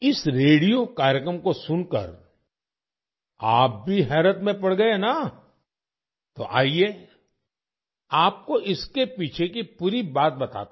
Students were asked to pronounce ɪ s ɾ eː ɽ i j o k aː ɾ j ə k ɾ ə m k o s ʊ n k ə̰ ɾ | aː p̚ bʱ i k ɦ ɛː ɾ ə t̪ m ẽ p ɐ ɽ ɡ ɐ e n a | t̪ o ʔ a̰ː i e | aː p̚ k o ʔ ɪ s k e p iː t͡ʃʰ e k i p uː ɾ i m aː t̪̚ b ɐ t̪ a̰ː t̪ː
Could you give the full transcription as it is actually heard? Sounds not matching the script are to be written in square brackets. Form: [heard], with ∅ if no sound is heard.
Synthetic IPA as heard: ɪ s ɾ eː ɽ i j o k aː ɾ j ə k ɾ ə m k o s ʊ n k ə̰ ɾ | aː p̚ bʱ i [∅] ɦ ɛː ɾ ə t̪ m ẽ p ɐ ɽ ɡ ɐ e n a | t̪ o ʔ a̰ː i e | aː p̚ k o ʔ ɪ s k e p iː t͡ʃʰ e k i p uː ɾ i [b] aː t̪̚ b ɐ t̪ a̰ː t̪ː